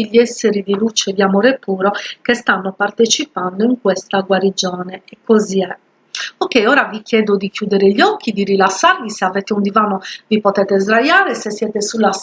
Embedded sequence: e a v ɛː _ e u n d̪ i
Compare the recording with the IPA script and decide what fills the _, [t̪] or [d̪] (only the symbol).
t̪